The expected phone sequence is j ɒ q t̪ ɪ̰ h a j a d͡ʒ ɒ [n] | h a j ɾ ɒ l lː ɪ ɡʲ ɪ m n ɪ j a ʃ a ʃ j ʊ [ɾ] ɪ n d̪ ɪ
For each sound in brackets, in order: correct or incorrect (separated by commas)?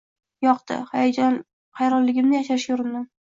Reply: correct, correct